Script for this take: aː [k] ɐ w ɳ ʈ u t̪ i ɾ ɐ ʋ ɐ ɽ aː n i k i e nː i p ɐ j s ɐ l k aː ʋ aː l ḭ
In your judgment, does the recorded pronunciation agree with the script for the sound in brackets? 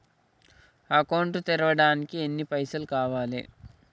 yes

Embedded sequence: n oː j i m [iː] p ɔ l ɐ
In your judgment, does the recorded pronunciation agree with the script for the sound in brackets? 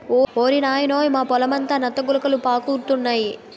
no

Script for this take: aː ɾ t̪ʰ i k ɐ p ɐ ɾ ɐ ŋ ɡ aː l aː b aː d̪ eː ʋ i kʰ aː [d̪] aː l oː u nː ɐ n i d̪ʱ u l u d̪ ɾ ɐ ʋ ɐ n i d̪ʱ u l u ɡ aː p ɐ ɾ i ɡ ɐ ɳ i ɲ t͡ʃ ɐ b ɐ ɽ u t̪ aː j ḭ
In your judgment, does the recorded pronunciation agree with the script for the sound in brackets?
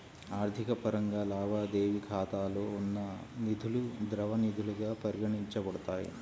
no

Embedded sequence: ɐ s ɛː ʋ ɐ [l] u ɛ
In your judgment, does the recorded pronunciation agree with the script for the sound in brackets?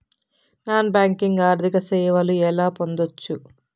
yes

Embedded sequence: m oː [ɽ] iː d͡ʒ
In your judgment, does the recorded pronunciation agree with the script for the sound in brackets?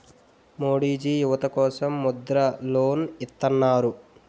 yes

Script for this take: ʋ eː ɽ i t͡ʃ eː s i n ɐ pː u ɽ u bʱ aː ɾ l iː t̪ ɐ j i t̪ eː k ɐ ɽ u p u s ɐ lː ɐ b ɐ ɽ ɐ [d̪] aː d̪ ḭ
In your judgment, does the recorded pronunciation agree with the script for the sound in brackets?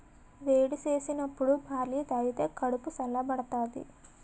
no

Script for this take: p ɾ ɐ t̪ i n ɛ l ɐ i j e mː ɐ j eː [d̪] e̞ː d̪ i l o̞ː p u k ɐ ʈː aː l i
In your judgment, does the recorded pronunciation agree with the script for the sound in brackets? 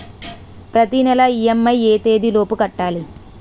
no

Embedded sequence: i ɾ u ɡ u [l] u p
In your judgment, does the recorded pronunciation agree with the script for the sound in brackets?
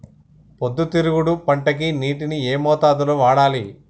no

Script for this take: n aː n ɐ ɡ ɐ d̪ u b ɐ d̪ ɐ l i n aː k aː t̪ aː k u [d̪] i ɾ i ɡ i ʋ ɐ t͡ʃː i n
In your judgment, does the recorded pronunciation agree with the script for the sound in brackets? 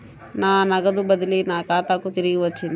no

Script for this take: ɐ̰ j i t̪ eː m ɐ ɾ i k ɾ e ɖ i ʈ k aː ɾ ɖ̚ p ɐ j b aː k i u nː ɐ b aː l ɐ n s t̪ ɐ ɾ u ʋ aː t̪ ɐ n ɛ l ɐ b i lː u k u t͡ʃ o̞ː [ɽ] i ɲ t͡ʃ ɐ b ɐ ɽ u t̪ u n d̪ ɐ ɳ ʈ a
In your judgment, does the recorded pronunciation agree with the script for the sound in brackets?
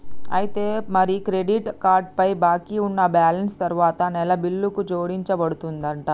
yes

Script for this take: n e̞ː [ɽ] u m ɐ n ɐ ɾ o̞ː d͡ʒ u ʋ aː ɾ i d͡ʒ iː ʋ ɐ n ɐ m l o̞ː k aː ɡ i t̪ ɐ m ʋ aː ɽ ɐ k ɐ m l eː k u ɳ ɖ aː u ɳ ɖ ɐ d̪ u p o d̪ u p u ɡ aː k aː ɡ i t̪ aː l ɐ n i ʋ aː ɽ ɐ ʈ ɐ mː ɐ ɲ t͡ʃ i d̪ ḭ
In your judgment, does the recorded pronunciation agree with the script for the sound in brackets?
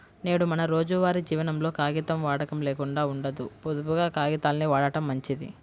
yes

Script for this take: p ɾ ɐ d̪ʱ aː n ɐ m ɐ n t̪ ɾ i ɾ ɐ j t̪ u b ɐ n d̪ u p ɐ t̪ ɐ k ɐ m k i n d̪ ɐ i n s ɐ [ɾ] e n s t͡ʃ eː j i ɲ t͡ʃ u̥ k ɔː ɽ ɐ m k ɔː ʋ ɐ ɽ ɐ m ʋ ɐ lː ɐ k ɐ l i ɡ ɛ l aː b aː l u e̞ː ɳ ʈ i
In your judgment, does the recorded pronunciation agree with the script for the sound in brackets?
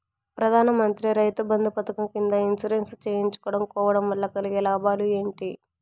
yes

